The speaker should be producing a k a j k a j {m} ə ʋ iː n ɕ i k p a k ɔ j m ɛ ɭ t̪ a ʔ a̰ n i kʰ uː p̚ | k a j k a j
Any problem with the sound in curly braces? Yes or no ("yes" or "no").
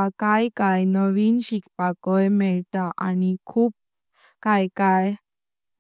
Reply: yes